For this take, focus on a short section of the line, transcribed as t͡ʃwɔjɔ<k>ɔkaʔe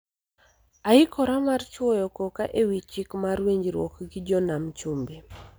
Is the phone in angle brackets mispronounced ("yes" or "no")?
no